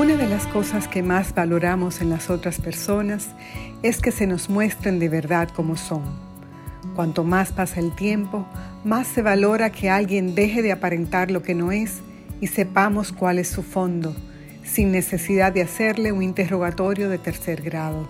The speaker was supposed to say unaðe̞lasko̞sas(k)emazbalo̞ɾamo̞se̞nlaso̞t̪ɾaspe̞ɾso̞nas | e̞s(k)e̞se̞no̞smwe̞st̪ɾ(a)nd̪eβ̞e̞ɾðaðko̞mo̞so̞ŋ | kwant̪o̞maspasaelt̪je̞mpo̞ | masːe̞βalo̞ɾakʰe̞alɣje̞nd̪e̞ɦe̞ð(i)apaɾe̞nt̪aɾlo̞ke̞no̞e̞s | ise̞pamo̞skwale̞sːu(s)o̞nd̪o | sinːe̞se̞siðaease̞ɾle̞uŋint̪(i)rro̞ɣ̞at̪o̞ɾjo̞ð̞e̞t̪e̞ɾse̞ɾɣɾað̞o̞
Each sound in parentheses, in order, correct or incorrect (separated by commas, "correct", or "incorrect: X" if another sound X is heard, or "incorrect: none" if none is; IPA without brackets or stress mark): correct, correct, incorrect: e, incorrect: e, incorrect: f, incorrect: e